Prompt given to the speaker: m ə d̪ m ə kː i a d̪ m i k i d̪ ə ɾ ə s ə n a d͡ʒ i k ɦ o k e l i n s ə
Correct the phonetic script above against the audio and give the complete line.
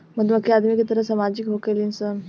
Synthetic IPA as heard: m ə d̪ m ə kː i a d̪ m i k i t̪ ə ɾ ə s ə m a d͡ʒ i k ɦ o k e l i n s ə